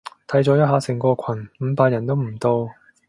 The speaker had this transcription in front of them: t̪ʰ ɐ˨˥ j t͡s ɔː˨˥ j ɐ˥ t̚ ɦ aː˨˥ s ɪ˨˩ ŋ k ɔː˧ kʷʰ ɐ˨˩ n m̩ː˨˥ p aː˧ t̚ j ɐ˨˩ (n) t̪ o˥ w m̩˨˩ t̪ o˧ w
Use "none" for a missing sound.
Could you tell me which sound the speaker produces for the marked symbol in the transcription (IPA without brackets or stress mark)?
n